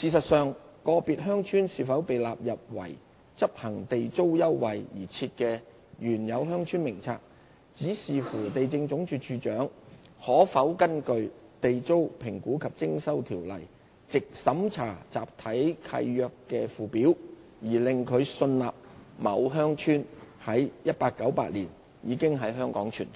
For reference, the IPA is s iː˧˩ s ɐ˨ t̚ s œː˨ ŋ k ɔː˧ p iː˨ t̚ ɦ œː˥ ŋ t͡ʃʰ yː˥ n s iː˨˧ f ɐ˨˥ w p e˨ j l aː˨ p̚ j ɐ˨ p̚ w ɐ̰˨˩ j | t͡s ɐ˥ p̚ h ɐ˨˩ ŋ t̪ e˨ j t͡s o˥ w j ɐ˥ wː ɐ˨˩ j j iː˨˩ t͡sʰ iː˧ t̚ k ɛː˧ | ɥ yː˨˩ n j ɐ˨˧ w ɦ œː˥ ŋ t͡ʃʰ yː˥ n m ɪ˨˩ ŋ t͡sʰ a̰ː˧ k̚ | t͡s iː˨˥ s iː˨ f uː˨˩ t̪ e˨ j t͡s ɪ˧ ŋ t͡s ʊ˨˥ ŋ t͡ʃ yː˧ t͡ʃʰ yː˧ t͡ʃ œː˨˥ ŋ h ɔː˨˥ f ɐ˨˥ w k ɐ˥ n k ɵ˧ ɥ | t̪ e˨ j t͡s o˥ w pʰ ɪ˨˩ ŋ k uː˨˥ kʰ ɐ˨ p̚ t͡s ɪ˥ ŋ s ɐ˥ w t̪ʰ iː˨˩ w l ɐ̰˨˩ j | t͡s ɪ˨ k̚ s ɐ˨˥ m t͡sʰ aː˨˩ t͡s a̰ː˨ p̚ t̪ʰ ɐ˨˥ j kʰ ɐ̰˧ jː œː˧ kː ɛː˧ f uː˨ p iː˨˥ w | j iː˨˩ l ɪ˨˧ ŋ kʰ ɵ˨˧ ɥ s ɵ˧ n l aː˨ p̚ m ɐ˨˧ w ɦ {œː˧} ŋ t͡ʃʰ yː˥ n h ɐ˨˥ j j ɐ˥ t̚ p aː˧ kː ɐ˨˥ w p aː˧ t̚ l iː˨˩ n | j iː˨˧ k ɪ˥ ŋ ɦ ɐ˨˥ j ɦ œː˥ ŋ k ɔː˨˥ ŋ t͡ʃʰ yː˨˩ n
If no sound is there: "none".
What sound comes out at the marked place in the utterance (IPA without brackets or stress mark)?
œː˥